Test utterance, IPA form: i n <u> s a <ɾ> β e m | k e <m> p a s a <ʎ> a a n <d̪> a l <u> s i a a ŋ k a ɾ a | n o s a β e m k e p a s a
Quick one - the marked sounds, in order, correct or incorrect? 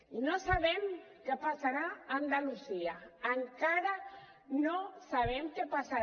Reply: incorrect, incorrect, incorrect, incorrect, correct, correct

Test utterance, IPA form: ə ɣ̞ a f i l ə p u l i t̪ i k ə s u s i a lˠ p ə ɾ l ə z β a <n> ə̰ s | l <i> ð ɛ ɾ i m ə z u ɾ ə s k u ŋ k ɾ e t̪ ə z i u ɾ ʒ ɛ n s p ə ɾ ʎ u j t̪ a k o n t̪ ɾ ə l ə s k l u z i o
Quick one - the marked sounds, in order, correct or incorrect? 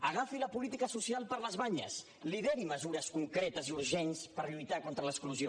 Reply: incorrect, correct

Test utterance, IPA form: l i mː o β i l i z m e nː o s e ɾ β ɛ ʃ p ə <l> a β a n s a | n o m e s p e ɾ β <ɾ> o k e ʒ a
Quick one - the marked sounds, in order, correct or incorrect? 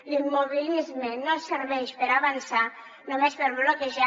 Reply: incorrect, incorrect

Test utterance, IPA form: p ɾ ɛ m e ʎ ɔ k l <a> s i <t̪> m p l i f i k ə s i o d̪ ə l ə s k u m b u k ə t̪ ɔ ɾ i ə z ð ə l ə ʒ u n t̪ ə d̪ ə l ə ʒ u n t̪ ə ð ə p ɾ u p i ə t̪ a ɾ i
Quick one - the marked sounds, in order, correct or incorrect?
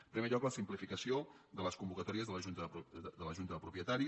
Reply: incorrect, incorrect

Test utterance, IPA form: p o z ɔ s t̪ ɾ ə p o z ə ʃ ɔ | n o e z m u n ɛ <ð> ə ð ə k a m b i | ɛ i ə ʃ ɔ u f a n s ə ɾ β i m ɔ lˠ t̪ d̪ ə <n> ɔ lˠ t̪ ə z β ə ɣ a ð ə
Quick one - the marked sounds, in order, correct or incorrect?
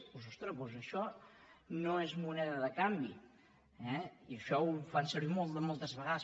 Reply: correct, incorrect

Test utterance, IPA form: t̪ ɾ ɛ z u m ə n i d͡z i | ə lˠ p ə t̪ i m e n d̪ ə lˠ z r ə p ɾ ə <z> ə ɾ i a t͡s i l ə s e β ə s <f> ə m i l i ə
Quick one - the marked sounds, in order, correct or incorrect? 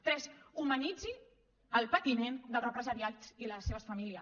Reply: correct, correct

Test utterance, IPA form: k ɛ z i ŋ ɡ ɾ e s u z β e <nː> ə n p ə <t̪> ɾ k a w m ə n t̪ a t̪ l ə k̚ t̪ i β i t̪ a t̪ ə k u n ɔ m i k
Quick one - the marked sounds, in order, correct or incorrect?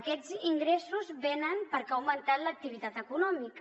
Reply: incorrect, incorrect

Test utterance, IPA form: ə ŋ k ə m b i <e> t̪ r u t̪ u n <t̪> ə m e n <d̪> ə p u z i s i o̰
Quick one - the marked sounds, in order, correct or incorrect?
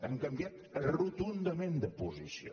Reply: incorrect, incorrect, correct

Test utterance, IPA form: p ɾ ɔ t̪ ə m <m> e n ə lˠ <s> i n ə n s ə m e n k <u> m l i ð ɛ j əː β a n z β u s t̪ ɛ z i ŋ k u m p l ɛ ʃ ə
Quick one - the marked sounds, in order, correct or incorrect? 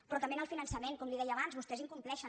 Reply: incorrect, incorrect, incorrect

